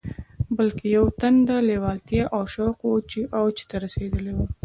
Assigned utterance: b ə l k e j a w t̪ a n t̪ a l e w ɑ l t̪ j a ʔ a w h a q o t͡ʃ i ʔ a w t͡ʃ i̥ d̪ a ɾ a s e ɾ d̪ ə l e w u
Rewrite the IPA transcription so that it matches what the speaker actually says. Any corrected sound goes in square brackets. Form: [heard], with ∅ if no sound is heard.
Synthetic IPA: b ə l k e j a w t̪ a n [d̪] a l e w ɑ l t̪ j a ʔ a w [ʃ] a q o t͡ʃ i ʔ a w t͡ʃ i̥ [t̪] a ɾ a s e [∅] d̪ ə l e w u